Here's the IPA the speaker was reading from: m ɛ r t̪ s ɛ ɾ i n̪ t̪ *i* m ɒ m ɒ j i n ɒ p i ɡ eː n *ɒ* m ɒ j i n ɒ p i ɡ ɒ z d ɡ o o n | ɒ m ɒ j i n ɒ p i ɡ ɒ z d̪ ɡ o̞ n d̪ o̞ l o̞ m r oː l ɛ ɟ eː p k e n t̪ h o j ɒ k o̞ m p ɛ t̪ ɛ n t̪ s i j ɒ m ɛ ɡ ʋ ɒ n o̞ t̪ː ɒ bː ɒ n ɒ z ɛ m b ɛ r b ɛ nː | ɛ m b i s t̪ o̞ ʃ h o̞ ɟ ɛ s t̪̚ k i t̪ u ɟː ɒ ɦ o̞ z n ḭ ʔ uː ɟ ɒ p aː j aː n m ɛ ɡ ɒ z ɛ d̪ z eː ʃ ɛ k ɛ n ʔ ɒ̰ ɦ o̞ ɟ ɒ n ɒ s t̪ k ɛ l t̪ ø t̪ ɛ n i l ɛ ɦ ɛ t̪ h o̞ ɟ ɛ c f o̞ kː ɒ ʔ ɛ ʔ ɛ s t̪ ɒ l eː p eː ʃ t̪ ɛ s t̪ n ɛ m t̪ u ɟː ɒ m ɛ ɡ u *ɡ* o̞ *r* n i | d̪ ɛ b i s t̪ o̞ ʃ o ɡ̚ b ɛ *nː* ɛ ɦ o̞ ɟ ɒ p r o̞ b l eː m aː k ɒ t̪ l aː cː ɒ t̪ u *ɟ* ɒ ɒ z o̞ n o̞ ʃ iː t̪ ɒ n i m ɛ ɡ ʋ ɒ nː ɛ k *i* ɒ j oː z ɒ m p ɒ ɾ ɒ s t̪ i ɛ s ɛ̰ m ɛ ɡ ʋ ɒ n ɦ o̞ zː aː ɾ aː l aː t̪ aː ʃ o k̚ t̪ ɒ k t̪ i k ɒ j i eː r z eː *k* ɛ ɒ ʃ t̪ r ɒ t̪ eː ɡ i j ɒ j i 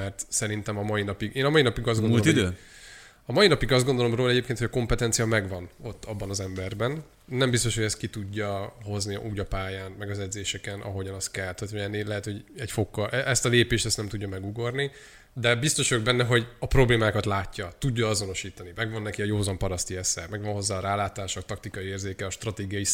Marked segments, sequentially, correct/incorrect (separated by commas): incorrect, correct, correct, correct, correct, incorrect, correct, correct